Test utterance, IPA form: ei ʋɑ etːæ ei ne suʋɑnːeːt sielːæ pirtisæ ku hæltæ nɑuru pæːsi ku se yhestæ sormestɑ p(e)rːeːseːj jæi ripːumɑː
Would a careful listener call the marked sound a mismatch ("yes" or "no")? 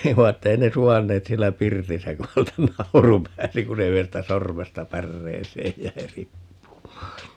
yes